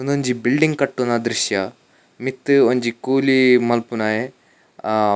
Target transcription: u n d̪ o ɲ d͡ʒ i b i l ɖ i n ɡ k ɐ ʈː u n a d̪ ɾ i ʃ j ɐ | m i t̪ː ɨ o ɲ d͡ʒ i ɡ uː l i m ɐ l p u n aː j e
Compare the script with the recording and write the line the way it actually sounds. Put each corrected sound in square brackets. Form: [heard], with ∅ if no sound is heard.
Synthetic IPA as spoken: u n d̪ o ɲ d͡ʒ i b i l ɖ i [ŋ] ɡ k ɐ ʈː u n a d̪ ɾ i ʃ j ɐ | m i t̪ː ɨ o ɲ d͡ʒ i [k] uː l i m ɐ l p u n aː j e